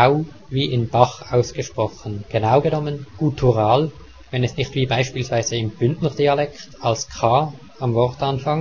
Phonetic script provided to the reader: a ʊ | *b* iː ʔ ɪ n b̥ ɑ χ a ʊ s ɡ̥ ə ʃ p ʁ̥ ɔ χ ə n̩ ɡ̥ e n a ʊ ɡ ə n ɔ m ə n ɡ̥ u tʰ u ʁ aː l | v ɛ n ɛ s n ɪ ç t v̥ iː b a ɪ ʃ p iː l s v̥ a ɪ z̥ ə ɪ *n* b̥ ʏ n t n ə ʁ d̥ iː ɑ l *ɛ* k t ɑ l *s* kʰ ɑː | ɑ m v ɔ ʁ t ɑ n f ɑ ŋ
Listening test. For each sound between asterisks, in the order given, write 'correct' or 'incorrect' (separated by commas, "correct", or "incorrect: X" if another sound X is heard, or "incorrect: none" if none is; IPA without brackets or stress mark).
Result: incorrect: v, incorrect: m, correct, correct